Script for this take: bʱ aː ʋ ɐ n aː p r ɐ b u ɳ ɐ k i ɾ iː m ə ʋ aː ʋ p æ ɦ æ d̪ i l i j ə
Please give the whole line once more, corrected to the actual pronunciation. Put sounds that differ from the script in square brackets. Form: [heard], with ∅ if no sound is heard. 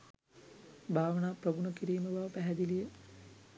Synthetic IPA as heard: bʱ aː ʋ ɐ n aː p r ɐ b u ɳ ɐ k i ɾ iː m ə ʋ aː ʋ p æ ɦ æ d̪ i l i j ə